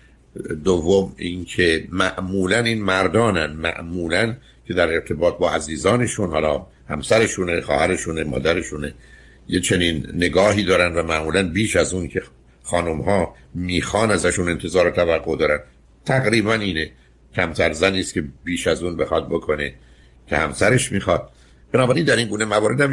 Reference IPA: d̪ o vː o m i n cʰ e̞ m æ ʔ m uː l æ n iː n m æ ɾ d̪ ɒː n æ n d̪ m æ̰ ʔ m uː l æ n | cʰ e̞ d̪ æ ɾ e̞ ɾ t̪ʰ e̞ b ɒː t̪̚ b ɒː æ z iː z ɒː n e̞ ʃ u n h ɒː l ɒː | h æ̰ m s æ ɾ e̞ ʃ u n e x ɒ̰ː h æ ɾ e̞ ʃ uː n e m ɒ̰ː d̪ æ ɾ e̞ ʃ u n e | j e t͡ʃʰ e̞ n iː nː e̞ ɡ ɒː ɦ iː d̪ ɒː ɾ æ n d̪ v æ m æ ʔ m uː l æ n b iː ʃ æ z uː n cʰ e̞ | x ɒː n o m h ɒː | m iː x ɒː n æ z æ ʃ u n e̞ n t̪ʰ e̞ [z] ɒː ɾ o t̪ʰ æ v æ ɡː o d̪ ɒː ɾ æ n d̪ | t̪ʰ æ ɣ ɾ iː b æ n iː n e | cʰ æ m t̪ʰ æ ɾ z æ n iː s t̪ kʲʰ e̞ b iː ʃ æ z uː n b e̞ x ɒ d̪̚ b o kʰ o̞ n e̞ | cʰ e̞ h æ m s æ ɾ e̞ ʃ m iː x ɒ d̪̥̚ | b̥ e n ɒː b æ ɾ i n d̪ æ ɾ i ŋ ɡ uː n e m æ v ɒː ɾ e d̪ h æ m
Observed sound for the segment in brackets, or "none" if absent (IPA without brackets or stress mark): z